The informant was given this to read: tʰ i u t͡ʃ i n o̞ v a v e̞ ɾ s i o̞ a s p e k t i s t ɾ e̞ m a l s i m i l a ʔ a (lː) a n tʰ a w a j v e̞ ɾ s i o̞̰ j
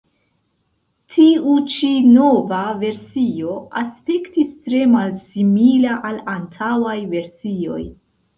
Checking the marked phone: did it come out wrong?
yes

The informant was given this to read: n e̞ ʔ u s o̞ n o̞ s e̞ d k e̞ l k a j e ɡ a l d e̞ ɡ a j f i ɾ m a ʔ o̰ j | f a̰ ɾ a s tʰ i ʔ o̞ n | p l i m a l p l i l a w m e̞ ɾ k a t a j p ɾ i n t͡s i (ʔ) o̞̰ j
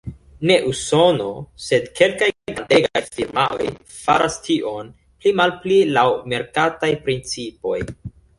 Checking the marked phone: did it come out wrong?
yes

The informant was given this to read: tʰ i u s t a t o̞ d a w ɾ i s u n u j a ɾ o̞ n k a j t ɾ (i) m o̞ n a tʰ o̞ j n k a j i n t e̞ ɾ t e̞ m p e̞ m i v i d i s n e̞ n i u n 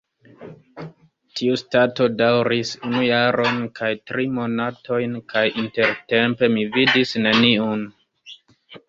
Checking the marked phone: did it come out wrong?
no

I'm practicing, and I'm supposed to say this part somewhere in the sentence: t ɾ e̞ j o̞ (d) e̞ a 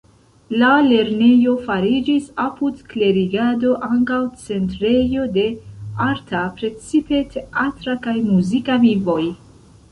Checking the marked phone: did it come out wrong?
no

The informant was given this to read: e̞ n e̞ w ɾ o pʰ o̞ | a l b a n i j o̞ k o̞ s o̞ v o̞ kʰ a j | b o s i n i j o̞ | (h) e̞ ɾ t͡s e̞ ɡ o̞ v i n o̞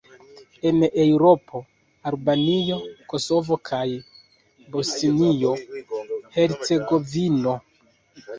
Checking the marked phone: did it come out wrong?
no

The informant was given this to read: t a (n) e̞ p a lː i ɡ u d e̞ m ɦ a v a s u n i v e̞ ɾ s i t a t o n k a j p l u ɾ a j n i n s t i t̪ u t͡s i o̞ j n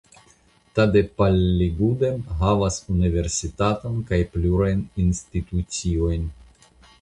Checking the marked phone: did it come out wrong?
yes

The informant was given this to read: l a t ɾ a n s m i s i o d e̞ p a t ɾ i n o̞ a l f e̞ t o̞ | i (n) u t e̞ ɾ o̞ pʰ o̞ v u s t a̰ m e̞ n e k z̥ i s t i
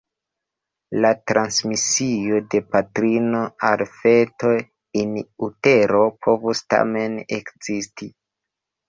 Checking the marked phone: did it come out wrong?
no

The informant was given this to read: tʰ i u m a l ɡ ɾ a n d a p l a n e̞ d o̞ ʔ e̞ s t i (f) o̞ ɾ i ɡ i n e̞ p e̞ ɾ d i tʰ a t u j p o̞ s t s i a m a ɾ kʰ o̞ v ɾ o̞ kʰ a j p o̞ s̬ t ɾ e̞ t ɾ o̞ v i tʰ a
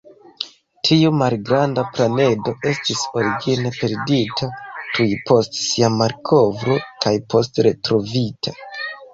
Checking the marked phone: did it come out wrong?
yes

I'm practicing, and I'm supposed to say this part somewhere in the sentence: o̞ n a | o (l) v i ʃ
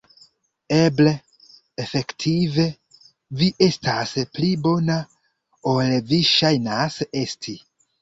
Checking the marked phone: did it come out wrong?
no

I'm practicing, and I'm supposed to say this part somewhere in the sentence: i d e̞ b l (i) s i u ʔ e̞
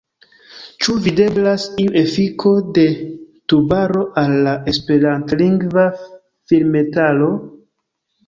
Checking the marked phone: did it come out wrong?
yes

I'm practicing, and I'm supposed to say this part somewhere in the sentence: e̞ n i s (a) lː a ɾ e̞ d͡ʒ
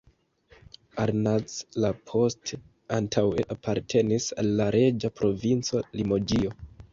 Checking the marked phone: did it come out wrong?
no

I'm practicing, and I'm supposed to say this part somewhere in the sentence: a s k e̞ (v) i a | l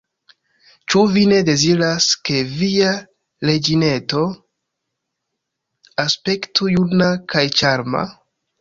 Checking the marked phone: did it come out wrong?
no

